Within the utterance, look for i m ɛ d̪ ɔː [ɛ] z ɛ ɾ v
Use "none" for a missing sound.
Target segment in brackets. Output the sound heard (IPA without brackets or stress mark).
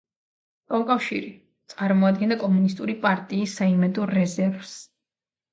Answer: ɛ